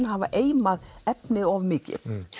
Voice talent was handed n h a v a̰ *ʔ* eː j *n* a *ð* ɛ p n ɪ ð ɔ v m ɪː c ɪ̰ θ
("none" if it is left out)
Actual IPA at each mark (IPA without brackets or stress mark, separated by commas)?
ʔ, m, ð